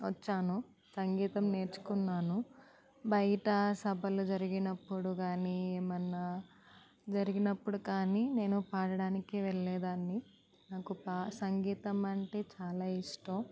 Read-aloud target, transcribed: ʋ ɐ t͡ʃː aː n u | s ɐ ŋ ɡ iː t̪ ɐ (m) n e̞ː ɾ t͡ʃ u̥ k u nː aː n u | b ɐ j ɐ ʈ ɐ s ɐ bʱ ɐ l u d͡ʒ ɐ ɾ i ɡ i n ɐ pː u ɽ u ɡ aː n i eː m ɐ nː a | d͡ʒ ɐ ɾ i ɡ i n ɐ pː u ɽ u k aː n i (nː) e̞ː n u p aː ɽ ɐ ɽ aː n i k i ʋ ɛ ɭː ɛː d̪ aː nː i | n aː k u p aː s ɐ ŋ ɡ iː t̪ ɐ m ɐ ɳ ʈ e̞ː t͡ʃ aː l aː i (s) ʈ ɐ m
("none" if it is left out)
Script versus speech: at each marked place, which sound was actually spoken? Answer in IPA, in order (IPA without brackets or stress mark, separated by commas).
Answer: m, n, ʂ